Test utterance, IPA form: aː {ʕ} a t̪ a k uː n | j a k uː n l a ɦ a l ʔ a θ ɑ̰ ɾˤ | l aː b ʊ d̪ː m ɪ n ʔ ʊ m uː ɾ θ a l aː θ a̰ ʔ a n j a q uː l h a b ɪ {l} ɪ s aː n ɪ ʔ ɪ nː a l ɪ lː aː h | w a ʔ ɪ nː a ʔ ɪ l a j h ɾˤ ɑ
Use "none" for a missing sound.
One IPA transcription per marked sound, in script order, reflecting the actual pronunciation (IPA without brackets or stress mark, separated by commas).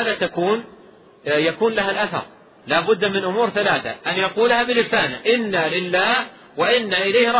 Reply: ð, l